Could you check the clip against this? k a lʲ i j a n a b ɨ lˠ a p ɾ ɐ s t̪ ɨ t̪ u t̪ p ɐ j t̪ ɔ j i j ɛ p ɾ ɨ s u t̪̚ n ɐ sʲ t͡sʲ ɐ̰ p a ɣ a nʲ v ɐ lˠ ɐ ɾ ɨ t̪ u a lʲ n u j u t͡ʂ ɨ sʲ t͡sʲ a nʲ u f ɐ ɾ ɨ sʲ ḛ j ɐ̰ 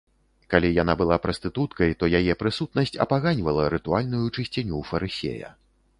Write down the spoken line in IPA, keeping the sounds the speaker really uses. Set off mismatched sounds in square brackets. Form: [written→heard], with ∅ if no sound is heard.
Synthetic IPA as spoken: k a lʲ i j a n a b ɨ lˠ a p ɾ ɐ s t̪ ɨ t̪ u t̪ [p→k] ɐ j t̪ ɔ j [i→a] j ɛ p ɾ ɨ s u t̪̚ n ɐ sʲ t͡sʲ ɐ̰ p a ɣ a nʲ v ɐ lˠ ɐ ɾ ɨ t̪ u a lʲ n u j u t͡ʂ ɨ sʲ t͡sʲ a nʲ u f ɐ ɾ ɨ sʲ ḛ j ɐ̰